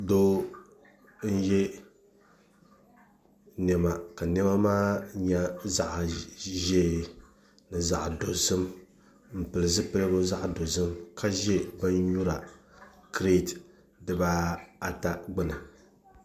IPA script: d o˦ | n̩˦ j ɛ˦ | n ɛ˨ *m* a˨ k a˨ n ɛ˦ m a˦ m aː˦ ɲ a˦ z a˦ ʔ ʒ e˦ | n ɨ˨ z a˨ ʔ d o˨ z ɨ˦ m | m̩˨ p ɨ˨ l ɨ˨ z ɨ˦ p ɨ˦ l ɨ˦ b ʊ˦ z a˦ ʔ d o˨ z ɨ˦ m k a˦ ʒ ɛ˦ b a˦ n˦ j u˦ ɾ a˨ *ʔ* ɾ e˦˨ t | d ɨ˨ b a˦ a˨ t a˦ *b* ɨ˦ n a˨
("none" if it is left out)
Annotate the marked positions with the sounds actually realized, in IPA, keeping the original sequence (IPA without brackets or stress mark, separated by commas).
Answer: m, k, ɡ͡b